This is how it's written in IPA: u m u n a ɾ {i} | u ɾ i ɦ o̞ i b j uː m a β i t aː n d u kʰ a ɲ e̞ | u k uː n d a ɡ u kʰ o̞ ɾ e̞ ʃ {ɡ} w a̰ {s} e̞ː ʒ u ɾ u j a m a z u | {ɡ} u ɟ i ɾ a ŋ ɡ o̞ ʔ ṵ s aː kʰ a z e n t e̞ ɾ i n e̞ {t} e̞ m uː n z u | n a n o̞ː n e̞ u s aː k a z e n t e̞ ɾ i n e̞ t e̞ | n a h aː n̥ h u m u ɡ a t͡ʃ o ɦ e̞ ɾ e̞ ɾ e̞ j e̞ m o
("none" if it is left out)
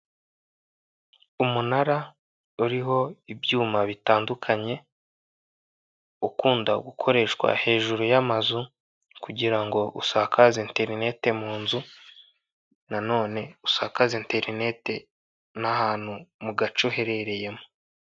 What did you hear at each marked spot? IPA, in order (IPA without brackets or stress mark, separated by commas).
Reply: a, k, h, k, t